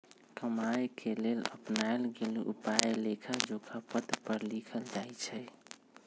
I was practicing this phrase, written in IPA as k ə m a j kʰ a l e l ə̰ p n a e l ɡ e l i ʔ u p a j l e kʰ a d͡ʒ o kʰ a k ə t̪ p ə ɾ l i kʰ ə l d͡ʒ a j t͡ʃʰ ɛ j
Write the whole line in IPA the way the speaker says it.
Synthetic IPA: k ə m a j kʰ e l e l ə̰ p n a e l ɡ e l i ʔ u p a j l e kʰ a d͡ʒ o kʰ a p ə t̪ p ə ɾ l i kʰ ə l d͡ʒ a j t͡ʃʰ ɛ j